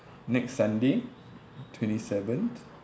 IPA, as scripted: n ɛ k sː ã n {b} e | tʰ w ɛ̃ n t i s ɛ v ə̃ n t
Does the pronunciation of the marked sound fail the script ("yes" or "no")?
yes